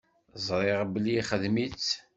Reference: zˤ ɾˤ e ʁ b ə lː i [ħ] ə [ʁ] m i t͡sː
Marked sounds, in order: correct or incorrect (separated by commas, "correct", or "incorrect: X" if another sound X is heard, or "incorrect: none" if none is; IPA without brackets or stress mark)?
incorrect: χ, incorrect: ð